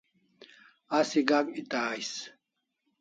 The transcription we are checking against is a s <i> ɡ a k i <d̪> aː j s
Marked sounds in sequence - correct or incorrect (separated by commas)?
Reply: correct, incorrect